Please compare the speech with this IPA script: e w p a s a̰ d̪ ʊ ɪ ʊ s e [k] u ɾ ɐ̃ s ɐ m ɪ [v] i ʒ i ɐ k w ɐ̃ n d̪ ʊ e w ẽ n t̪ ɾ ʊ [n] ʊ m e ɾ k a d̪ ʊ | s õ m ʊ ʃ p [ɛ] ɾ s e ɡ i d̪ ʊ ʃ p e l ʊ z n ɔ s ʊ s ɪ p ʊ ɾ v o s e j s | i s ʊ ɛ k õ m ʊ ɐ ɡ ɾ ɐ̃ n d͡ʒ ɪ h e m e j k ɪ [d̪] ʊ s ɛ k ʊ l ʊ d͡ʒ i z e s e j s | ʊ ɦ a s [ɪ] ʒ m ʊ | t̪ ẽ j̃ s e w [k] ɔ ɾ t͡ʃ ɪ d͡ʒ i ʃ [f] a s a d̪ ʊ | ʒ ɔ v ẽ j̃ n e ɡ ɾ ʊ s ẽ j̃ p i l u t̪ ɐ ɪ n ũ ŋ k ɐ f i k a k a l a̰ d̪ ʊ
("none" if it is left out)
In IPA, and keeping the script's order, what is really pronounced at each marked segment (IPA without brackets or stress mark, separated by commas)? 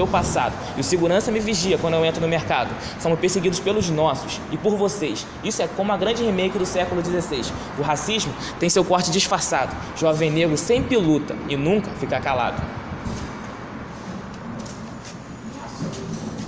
ɡ, v, n, e, d̪, i, k, f